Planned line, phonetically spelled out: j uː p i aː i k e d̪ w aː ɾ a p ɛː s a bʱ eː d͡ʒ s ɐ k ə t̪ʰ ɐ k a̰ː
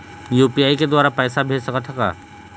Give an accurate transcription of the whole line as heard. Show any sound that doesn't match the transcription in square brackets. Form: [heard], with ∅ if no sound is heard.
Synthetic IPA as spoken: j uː p i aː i k e d̪ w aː ɾ a p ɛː s a bʱ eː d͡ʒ s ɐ k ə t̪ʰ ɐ k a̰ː

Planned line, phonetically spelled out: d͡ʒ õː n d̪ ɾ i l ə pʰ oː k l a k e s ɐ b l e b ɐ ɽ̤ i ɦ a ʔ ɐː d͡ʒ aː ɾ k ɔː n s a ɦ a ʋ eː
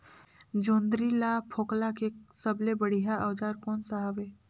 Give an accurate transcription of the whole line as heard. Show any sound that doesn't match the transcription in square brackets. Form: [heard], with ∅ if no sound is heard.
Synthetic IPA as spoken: d͡ʒ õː n d̪ ɾ i l [a] pʰ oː k l a k e s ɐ b l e b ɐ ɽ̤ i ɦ a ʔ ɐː d͡ʒ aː ɾ k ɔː n s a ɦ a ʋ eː

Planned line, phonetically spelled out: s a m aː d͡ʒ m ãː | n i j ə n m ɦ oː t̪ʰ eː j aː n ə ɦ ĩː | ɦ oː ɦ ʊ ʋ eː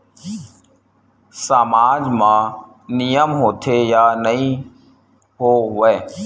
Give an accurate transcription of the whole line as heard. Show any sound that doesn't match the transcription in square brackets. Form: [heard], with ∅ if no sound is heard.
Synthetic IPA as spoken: s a m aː d͡ʒ m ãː | n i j ə [∅] m ɦ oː t̪ʰ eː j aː n ə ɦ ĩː | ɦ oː ɦ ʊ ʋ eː

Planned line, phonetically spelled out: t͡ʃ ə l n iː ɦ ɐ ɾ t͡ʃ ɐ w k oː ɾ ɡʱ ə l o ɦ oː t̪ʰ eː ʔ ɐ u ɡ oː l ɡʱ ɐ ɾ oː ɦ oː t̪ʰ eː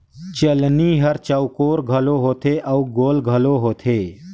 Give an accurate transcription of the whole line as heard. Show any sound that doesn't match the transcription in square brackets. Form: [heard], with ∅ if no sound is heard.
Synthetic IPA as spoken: t͡ʃ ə l n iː ɦ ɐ ɾ t͡ʃ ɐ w k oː ɾ ɡʱ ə l o ɦ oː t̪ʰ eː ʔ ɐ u ɡ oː l ɡʱ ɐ [l] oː ɦ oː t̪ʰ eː

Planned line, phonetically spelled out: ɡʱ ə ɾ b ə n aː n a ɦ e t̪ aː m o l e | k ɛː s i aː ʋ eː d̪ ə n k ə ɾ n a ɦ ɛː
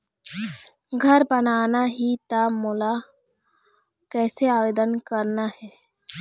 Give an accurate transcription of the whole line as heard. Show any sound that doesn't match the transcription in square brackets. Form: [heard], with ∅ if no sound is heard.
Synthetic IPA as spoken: ɡʱ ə ɾ b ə n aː n a ɦ [i] t̪ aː m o l [a] | k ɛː s [e] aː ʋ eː d̪ ə n k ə ɾ n a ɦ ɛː

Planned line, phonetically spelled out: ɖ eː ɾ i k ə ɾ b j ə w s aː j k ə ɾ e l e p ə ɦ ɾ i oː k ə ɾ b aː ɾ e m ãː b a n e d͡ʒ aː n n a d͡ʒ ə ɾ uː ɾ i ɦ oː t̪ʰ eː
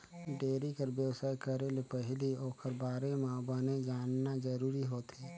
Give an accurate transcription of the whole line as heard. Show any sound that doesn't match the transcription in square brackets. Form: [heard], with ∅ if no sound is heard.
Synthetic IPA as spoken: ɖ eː ɾ i k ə ɾ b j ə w s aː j k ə ɾ e l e p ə ɦ [l] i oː k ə ɾ b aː ɾ e m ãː b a n e d͡ʒ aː n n a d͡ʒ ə ɾ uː ɾ i ɦ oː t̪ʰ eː

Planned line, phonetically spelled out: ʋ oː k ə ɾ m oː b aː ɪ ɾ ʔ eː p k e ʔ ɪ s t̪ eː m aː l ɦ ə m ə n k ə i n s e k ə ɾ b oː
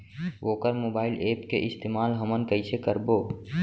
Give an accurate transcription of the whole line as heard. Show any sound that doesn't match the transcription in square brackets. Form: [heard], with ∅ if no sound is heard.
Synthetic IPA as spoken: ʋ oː k ə ɾ m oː b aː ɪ [l] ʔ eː p k e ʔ ɪ s t̪ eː m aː l ɦ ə m ə n k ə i [∅] s e k ə ɾ b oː

